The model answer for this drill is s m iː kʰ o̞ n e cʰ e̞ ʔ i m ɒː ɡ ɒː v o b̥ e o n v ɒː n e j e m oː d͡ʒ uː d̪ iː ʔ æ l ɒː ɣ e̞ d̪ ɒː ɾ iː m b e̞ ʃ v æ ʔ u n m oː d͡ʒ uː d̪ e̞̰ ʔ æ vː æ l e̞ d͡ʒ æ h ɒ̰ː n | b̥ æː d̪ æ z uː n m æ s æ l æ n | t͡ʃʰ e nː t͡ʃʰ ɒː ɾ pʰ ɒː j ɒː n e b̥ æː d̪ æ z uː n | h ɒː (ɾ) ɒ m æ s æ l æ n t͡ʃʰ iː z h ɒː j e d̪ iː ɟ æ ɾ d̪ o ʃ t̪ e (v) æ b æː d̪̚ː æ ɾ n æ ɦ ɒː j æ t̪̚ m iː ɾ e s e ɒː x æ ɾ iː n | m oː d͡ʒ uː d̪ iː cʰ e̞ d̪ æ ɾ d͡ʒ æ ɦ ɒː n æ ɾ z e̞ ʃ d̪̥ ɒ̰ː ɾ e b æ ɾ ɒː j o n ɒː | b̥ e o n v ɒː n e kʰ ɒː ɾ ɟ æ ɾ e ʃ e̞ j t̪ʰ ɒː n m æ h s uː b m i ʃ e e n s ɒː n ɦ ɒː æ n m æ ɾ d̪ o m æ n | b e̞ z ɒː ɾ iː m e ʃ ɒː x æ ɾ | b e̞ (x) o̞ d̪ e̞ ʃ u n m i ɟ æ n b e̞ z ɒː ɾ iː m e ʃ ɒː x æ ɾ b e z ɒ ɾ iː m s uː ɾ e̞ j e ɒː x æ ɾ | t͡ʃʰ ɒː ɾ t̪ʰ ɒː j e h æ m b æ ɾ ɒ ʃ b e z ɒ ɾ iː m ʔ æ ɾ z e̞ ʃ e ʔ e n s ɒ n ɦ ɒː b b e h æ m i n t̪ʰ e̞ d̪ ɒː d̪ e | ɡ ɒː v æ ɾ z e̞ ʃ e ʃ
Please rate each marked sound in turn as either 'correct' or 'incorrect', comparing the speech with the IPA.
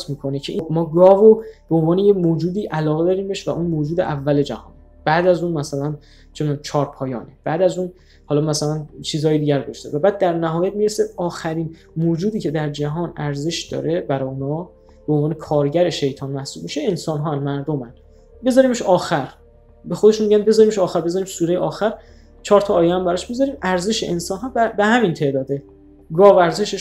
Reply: incorrect: l, correct, correct

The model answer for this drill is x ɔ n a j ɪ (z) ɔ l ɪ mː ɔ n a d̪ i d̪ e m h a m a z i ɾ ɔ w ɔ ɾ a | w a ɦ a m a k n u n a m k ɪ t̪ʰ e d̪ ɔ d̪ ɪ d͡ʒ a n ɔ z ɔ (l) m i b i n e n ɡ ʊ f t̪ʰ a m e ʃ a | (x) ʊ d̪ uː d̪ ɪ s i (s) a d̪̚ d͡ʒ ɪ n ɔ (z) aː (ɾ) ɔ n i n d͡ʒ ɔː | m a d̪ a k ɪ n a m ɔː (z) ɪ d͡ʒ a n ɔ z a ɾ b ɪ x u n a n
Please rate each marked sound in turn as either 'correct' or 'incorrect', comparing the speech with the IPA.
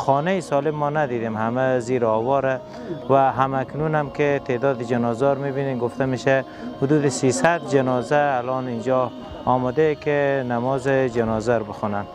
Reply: incorrect: s, incorrect: ɾ, incorrect: h, correct, correct, incorrect: l, correct

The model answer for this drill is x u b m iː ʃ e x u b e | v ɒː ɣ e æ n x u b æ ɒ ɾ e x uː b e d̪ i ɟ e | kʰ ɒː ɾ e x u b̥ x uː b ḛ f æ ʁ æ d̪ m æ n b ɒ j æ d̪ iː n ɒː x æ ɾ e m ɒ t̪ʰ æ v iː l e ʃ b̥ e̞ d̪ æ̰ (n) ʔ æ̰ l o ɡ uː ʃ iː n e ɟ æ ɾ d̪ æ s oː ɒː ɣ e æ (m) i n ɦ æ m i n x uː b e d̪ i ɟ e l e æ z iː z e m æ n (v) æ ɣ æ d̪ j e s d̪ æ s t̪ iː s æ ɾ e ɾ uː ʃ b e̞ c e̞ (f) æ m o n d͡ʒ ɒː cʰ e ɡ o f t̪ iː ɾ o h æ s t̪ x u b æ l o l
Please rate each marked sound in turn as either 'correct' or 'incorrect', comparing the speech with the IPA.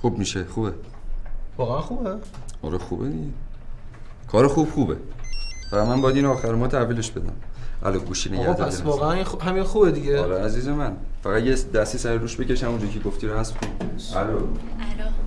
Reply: incorrect: m, incorrect: n, incorrect: f, incorrect: ʃ

